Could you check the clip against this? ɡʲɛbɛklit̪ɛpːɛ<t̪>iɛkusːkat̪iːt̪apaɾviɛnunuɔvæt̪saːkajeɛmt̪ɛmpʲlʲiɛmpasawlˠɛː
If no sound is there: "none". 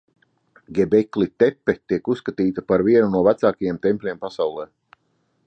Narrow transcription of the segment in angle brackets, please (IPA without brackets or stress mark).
t̪